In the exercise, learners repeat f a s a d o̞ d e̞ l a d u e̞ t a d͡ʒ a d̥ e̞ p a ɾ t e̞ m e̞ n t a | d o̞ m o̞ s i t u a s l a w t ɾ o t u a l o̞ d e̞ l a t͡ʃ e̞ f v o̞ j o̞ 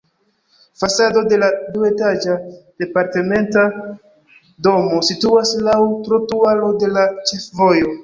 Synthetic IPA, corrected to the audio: f a s a d o̞ d e̞ l a d u e̞ t a d͡ʒ a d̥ e̞ p a ɾ t e̞ m e̞ n t a | d o̞ m o̞ s i t u a s l a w t ɾ o t u a l o̞ d e̞ l a t͡ʃ e̞ f v o̞ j o̞